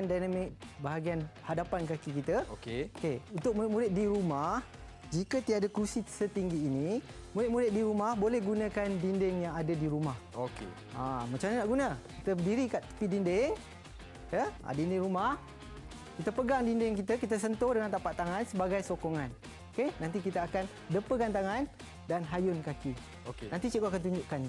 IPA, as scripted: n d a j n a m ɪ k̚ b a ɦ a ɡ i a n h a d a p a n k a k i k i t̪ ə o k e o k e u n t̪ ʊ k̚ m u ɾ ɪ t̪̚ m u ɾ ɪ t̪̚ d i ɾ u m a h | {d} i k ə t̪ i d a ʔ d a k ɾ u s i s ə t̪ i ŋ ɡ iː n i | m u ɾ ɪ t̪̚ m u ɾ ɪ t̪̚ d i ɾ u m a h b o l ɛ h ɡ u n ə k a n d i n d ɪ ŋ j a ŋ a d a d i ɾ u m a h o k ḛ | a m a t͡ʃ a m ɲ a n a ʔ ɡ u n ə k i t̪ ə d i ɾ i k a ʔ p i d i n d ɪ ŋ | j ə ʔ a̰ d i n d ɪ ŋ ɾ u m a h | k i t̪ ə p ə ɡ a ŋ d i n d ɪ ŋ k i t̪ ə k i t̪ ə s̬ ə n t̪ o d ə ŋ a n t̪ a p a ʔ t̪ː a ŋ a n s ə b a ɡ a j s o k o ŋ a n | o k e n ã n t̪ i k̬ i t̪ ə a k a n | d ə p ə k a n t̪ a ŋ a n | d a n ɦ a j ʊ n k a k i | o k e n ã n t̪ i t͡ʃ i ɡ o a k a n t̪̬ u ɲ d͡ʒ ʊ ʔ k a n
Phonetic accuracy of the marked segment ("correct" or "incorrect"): incorrect